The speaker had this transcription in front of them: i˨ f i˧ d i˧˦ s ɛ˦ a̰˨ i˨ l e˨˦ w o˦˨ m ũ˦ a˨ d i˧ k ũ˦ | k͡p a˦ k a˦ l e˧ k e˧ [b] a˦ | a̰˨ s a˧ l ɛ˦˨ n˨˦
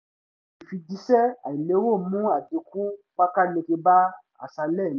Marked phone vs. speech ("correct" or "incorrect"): correct